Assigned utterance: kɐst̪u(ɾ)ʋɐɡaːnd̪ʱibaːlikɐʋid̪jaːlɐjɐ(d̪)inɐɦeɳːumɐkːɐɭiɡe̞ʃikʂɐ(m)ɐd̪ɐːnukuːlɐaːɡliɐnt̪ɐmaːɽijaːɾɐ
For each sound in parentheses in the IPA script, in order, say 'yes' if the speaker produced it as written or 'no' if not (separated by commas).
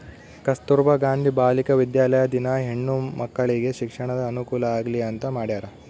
yes, yes, no